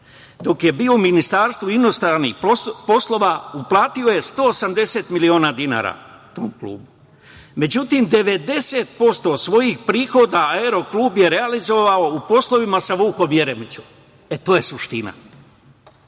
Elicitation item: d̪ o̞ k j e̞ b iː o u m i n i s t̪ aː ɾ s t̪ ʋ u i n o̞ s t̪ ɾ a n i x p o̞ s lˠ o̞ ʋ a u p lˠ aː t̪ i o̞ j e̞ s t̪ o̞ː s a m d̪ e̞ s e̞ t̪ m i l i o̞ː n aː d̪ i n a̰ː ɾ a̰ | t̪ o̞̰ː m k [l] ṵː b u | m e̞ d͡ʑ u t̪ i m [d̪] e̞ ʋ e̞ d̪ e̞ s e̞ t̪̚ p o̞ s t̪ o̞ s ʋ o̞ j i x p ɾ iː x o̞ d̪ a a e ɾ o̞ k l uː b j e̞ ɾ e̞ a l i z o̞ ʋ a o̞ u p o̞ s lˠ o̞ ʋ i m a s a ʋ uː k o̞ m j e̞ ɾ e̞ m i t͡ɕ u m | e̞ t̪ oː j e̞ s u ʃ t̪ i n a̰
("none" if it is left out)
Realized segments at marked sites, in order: l, d̪

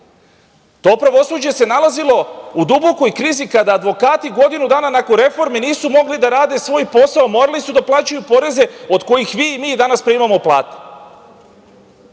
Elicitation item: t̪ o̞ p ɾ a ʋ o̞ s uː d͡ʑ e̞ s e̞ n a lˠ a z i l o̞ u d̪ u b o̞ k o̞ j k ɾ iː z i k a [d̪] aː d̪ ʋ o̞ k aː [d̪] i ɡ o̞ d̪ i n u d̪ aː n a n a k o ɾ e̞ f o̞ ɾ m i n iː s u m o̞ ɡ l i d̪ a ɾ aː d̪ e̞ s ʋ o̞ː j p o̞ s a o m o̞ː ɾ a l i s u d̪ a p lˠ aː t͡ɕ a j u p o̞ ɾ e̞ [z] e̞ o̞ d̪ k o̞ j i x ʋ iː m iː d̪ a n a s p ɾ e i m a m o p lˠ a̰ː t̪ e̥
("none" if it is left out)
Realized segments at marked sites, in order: d̪, t̪, z

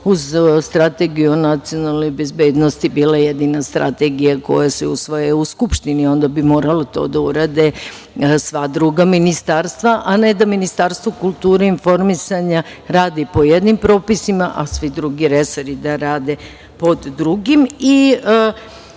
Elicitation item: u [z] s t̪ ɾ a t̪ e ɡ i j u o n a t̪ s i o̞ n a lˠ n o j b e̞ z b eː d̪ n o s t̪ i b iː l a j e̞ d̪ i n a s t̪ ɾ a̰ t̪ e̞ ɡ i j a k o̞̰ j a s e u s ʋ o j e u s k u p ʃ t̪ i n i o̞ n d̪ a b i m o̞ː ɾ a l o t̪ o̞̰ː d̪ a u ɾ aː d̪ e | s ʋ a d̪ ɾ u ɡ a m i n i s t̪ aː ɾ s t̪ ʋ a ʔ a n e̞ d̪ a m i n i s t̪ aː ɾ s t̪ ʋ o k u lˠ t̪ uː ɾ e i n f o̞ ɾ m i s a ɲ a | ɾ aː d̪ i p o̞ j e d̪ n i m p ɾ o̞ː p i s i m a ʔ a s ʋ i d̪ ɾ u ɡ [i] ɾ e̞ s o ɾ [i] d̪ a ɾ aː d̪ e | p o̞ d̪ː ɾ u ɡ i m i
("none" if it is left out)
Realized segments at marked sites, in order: z, i, i

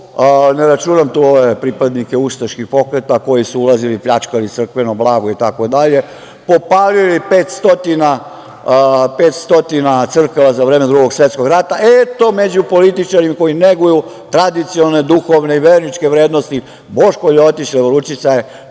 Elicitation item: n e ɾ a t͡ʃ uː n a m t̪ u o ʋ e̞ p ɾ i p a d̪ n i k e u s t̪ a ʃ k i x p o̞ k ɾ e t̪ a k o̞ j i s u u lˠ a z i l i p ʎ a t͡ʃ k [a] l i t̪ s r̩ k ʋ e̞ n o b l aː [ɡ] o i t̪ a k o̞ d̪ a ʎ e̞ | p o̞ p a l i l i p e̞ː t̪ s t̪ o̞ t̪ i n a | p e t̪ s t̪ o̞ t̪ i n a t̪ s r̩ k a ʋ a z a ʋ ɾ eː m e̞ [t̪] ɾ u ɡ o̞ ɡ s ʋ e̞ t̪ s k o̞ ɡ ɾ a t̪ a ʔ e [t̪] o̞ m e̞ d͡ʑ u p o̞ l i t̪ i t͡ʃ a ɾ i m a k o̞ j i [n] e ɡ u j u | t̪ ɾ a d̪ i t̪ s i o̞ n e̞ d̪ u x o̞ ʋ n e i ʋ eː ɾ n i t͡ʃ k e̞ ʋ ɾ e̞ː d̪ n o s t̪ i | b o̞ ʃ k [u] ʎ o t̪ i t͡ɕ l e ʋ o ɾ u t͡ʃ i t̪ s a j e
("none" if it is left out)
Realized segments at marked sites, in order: a, ɡ, d̪, t̪, n, o

